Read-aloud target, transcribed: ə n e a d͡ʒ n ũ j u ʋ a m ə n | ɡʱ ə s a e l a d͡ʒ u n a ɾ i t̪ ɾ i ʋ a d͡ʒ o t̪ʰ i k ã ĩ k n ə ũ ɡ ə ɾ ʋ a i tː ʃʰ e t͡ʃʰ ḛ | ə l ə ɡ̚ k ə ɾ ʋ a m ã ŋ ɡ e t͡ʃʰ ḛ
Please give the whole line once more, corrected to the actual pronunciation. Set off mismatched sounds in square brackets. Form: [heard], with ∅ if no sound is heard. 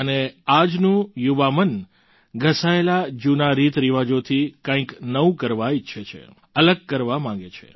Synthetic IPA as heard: ə n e a d͡ʒ n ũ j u ʋ a m ə n | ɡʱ ə s a e l a d͡ʒ u n a ɾ i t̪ ɾ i ʋ a d͡ʒ o t̪ʰ i k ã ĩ k n ə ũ [k] ə ɾ ʋ a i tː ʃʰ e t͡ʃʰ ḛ | ə l ə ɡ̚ k ə ɾ ʋ a m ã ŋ ɡ e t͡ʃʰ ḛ